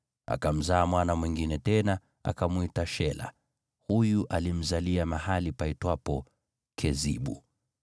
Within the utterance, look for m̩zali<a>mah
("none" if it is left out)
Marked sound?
a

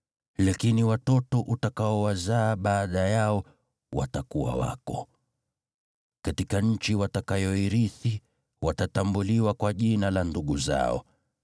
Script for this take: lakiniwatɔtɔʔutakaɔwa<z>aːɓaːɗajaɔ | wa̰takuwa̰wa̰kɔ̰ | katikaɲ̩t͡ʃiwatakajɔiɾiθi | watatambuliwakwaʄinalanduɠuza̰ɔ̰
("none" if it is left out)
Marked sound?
z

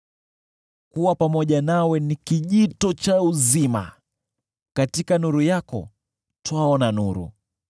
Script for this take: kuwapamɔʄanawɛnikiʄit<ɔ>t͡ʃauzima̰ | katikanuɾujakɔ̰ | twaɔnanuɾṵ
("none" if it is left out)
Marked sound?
ɔ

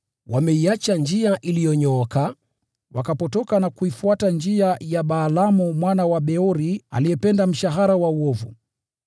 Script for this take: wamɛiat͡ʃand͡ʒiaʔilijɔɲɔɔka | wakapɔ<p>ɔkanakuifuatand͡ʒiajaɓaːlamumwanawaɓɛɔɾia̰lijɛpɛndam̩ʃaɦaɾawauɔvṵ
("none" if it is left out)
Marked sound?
t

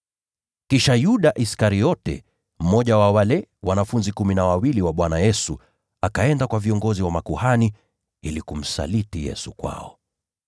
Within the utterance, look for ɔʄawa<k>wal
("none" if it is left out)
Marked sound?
none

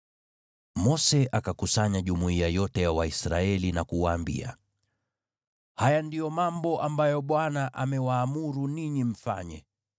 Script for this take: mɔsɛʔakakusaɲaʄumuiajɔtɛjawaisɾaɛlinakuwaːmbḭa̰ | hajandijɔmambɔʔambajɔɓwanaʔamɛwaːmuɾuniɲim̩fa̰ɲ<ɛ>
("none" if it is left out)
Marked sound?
ɛ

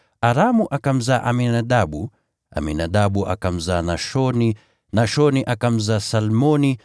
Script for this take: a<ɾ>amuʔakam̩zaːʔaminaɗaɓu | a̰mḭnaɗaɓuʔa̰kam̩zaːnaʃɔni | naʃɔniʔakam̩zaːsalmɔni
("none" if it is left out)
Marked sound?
ɾ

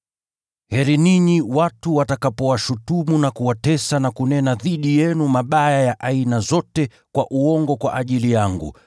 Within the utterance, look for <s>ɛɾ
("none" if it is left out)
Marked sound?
h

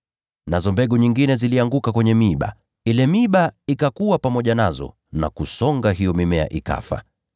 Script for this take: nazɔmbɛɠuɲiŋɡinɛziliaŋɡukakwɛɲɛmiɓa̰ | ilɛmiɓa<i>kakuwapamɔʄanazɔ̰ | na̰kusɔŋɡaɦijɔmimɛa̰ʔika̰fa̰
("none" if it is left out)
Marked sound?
i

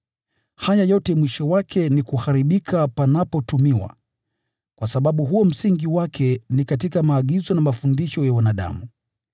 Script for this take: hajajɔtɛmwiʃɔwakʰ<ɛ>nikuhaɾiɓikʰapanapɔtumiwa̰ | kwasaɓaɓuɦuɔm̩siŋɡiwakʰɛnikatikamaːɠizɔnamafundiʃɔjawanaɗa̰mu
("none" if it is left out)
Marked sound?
ɛ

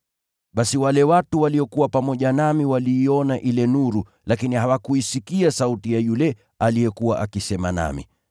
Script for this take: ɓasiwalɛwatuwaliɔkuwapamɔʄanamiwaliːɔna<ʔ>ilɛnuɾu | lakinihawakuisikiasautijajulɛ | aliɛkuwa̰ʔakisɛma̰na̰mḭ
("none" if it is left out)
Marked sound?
ʔ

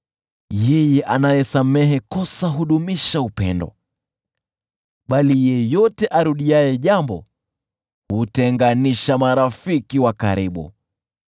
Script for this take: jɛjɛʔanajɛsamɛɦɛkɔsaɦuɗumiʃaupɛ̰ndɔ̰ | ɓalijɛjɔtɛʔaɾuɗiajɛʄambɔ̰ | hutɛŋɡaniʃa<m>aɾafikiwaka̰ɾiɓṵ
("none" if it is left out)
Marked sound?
m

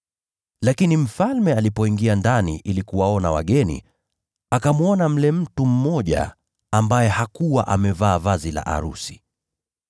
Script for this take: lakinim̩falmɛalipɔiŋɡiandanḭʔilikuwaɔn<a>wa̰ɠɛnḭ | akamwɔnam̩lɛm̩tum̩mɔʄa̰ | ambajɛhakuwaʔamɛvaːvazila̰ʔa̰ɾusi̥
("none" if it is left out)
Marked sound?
a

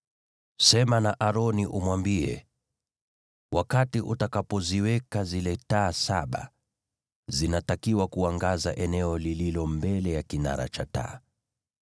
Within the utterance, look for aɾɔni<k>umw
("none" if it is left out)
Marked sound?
ʔ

